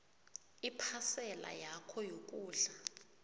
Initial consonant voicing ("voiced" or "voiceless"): voiceless